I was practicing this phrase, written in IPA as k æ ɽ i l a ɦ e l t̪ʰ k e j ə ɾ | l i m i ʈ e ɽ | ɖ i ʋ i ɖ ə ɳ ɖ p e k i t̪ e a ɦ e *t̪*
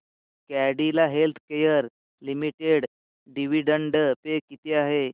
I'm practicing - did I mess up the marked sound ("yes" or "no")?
yes